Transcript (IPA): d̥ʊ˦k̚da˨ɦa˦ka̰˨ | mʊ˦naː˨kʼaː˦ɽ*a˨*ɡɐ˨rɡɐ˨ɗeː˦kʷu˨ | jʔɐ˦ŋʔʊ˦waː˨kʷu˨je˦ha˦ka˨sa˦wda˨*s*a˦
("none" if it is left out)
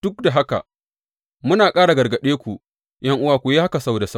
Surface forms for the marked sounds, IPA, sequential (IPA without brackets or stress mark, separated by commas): a˨, s